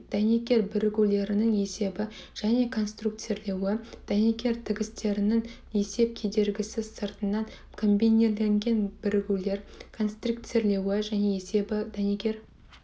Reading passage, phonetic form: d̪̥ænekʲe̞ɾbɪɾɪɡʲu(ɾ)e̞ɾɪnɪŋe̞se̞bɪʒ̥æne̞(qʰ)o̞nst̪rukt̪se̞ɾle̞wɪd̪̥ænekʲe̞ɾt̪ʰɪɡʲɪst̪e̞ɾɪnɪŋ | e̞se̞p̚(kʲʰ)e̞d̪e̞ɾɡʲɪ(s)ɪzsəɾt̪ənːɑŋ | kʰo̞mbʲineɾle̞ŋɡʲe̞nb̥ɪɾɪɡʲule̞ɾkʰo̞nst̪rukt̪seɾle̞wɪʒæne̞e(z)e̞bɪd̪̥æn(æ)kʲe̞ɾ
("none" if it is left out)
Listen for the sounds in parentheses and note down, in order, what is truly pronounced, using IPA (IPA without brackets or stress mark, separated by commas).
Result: l, kʰ, kʲʰ, s, s, e